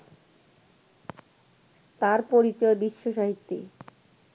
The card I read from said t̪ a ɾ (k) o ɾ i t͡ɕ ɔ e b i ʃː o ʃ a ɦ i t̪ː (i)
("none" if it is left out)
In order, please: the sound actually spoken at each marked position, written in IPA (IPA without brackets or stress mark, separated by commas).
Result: p, i